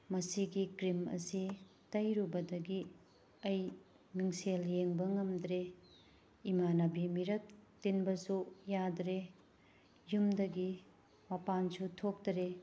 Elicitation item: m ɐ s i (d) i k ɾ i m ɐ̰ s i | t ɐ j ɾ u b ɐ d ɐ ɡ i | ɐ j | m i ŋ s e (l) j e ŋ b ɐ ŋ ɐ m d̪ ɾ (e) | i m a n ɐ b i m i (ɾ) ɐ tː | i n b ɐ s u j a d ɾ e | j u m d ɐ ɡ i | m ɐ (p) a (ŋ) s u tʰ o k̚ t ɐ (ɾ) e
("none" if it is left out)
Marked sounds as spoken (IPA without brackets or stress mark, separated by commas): ɡ, l, e, ɾ, p, n, ɾ